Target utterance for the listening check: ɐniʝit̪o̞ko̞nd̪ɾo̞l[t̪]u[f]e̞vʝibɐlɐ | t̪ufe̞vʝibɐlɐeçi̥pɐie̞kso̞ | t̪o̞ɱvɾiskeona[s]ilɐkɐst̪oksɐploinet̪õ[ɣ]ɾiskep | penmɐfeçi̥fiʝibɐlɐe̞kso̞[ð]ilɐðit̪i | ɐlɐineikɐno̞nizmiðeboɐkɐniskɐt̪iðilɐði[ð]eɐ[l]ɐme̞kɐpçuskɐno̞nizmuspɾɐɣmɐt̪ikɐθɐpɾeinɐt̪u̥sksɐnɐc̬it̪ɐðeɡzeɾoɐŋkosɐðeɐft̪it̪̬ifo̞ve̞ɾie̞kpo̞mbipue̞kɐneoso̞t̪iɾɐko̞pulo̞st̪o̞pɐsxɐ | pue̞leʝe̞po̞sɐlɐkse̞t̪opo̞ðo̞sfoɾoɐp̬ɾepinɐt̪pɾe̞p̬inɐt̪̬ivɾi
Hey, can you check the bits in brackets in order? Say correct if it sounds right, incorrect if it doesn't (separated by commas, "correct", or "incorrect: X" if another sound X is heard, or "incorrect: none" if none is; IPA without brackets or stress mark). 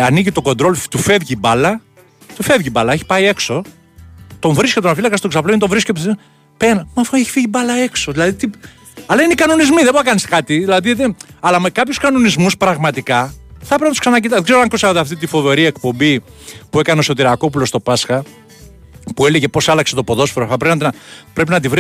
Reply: correct, correct, incorrect: f, incorrect: v, correct, correct, correct